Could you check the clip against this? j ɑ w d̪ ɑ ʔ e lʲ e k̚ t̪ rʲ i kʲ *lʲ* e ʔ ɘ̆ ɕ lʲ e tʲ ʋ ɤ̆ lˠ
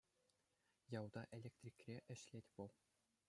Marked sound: incorrect: rʲ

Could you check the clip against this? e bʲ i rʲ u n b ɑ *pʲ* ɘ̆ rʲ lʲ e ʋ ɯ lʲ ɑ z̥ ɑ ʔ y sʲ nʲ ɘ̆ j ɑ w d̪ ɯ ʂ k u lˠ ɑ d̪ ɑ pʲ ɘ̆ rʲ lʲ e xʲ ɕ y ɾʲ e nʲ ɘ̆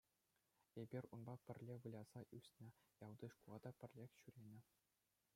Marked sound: correct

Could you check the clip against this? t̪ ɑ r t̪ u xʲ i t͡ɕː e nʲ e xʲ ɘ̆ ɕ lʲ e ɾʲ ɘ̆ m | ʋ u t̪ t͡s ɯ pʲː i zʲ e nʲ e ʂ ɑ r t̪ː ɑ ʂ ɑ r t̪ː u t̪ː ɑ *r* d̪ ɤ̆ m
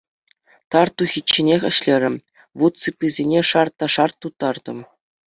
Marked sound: correct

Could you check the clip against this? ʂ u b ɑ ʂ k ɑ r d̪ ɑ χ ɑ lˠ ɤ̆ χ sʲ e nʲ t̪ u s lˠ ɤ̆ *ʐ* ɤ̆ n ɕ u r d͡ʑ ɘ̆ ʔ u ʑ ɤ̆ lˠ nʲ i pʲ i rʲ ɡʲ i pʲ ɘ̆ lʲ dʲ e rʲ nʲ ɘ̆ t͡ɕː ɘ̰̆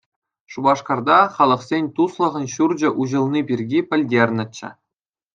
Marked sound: incorrect: ʁ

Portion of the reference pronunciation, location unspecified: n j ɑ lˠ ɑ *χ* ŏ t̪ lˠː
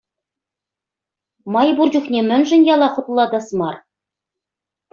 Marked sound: correct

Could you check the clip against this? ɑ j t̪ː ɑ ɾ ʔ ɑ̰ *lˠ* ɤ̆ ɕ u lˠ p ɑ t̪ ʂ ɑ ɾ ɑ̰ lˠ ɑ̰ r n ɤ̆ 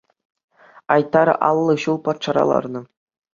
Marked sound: incorrect: lˠː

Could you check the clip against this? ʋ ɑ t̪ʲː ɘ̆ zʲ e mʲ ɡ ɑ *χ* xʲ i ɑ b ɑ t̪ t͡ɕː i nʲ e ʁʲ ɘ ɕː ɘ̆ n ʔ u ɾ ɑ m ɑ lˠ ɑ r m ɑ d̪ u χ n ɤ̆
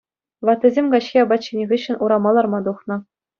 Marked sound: incorrect: ɕ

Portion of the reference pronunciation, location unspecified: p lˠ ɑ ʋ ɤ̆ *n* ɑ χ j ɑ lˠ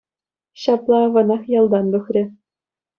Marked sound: correct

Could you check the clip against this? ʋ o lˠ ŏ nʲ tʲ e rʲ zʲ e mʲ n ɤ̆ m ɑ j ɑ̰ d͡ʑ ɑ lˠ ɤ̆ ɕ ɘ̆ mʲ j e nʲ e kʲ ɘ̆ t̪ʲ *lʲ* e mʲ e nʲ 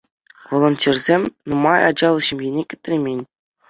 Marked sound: incorrect: rʲ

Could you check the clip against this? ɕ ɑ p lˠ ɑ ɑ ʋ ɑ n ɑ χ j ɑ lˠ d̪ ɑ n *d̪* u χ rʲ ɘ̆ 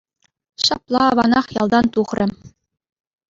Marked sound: incorrect: t̪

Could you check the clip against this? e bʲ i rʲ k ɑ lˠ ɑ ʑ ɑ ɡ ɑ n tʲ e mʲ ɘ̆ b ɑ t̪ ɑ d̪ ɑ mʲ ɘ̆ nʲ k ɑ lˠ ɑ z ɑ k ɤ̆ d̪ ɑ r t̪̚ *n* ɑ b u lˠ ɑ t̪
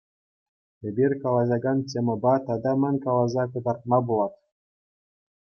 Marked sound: incorrect: m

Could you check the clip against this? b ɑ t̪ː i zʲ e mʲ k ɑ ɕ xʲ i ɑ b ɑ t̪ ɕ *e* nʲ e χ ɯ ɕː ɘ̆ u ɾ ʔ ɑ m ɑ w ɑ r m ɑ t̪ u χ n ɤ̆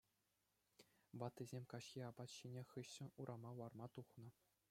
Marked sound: incorrect: i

